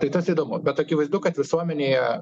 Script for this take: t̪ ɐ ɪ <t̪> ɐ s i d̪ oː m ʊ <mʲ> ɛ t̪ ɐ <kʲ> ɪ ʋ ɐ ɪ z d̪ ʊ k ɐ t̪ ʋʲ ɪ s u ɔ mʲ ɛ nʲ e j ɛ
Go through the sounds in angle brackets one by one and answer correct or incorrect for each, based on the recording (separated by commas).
correct, incorrect, correct